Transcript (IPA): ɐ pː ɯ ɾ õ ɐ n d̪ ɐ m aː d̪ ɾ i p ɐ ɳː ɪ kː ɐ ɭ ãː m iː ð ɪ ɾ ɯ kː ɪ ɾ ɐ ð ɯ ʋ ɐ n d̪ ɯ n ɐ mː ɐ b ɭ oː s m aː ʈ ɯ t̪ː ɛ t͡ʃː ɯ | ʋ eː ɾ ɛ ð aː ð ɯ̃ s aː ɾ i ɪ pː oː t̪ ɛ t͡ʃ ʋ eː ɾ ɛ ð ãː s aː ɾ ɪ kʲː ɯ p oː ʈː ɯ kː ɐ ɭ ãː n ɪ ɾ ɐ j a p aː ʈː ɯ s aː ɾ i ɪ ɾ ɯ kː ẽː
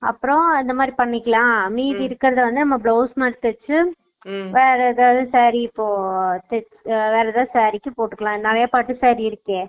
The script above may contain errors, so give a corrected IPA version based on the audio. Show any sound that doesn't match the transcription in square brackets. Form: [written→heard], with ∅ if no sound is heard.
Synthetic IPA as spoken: ɐ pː ɯ ɾ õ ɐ n d̪ ɐ m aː d̪ ɾ i p ɐ ɳː ɪ kː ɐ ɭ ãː m iː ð ɪ ɾ ɯ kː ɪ ɾ ɐ ð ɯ ʋ ɐ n d̪ ɯ n ɐ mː ɐ b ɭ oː s m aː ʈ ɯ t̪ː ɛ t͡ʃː ɯ | ʋ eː ɾ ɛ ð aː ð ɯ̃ s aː ɾ i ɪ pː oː t̪ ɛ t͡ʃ ʋ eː ɾ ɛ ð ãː s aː ɾ ɪ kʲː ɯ p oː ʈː ɯ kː ɐ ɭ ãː n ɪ ɾ ɐ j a p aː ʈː ɯ s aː ɾ i ɪ ɾ ɯ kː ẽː